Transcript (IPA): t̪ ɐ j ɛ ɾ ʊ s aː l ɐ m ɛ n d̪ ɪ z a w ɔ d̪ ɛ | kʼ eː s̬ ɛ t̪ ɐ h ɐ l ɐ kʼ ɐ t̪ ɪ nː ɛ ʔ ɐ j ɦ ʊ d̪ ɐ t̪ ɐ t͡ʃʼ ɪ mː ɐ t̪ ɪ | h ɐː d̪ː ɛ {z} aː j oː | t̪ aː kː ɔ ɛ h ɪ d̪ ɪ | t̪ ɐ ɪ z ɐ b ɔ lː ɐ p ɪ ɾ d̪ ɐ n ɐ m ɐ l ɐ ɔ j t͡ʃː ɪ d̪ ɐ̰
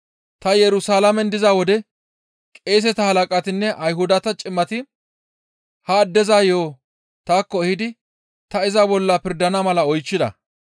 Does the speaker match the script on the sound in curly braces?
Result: yes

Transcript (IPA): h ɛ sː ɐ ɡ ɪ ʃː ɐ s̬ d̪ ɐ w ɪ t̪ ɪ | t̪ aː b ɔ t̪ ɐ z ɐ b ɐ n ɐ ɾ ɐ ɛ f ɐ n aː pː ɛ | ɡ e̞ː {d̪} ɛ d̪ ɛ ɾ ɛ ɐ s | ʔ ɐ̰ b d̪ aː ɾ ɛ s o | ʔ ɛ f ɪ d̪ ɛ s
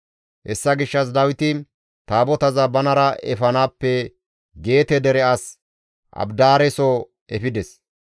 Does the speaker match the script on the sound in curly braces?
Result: no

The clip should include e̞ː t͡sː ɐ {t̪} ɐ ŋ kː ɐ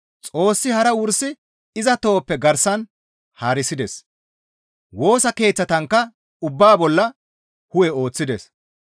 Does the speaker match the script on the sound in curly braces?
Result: yes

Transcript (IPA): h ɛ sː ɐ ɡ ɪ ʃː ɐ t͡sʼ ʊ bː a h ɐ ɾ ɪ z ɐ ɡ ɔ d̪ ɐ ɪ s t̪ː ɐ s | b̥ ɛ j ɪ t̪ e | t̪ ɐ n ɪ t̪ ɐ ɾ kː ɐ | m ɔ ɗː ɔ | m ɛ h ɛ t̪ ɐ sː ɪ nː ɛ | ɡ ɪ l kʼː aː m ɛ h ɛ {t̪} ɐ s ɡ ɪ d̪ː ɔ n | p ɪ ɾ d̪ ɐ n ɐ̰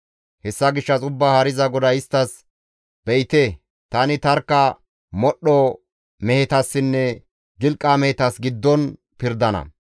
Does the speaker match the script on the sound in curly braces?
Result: yes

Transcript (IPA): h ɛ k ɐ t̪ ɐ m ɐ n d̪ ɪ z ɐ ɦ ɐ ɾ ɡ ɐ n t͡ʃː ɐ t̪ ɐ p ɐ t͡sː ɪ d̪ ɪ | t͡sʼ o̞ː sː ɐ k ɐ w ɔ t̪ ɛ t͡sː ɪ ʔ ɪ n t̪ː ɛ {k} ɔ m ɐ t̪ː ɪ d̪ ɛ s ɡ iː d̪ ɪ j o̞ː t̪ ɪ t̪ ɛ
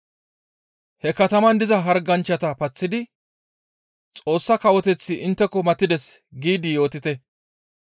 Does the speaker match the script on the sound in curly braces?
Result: yes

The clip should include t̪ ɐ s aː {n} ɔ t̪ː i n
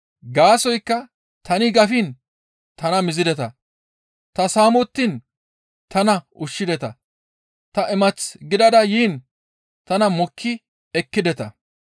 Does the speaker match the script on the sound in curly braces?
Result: no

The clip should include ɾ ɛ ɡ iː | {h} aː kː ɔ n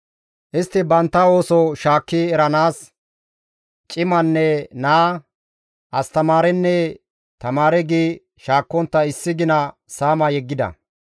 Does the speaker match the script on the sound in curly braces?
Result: no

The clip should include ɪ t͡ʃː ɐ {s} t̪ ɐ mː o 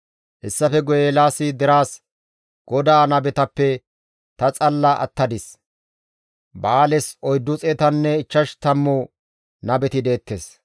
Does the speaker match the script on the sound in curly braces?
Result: no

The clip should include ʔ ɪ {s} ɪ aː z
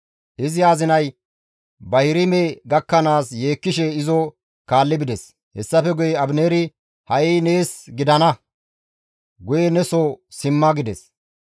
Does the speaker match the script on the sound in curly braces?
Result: no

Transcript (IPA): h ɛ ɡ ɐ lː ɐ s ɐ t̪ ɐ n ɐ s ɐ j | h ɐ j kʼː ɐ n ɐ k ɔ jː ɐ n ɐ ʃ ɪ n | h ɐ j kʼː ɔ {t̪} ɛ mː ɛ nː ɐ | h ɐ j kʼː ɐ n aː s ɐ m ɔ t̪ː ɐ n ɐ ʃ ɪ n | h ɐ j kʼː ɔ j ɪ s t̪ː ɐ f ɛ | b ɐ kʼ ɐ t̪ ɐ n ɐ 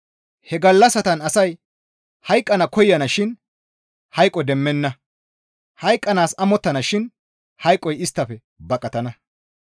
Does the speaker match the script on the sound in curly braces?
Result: no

